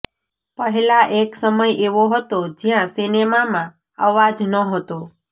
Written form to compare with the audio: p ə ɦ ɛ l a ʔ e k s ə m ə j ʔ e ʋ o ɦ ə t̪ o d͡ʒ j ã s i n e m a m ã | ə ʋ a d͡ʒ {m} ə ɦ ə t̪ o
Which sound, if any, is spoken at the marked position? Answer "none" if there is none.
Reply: n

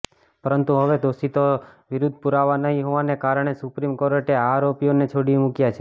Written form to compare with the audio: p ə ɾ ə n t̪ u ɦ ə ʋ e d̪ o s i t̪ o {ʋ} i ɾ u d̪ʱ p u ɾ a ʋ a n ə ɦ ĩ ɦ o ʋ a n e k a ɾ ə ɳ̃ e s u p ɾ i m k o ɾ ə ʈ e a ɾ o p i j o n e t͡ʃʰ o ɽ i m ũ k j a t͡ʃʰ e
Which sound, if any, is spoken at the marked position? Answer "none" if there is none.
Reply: ʋ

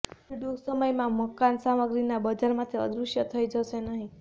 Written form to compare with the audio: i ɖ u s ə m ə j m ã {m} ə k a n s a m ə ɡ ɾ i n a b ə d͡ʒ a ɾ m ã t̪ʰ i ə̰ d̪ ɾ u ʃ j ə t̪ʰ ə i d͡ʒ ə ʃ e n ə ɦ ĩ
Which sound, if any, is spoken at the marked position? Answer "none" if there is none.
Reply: m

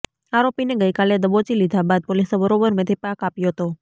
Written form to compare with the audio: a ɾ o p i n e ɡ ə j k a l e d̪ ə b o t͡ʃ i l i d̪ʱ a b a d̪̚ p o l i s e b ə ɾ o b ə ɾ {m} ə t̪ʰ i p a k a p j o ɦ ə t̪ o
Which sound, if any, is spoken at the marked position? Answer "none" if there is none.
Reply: m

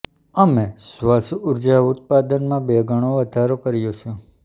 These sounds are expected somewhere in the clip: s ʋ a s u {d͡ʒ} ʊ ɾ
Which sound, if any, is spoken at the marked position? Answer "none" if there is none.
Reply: none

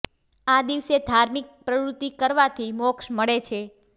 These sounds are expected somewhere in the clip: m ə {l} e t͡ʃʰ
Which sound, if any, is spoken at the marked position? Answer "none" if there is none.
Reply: ɭ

